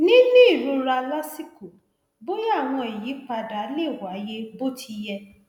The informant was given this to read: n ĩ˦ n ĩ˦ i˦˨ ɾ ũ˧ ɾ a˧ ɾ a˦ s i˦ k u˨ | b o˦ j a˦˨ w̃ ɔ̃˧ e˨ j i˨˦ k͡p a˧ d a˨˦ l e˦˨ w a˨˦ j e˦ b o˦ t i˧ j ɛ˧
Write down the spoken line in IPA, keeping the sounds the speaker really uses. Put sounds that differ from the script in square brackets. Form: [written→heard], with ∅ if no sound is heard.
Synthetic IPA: n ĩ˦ n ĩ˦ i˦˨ ɾ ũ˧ ɾ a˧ [ɾ→l] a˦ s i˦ k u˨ | b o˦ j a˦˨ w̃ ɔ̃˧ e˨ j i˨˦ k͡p a˧ d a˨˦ l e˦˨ w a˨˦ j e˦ b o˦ t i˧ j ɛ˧